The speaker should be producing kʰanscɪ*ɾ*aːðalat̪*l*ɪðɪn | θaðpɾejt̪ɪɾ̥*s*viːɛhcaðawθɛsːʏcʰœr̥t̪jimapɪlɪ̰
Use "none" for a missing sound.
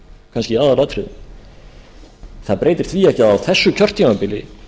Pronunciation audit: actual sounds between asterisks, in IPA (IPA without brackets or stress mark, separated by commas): none, ɾ, θ